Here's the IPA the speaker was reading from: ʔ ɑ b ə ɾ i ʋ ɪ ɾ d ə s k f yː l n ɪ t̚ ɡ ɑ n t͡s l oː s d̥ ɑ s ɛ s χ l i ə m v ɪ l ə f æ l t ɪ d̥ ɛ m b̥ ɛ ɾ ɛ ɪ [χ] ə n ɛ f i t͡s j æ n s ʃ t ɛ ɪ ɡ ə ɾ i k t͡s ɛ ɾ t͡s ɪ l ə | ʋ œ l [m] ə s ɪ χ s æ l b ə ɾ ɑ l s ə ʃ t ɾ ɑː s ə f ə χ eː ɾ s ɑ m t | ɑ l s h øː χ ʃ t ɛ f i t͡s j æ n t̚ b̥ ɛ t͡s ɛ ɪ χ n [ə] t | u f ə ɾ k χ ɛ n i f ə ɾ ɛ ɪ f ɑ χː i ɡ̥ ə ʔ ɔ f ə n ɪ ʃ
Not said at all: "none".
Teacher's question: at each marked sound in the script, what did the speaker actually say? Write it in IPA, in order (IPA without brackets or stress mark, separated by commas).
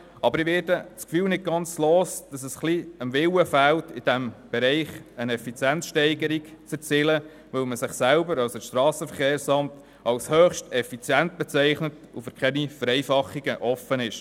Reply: χ, m, ə